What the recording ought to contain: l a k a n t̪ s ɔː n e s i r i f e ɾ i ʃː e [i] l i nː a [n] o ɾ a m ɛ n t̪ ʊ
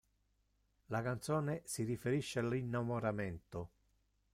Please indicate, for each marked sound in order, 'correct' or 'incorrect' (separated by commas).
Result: incorrect, incorrect